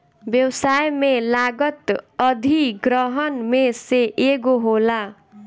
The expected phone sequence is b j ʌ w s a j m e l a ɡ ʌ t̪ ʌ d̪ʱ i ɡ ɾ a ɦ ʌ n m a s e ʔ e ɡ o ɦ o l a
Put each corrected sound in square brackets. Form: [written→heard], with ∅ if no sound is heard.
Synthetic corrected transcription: b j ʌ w s a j m e l a ɡ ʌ t̪ ʌ d̪ʱ i ɡ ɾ [a→ʌ] ɦ ʌ n m [a→e] s e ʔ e ɡ o ɦ o l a